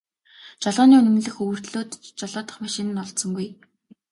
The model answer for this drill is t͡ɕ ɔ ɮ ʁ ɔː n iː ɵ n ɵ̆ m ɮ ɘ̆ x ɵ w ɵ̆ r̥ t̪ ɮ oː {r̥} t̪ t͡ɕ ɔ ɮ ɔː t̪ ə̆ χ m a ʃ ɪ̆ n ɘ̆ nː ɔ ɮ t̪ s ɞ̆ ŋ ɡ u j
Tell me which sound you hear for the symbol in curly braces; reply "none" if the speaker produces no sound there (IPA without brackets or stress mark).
none